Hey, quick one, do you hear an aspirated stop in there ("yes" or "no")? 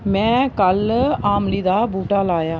no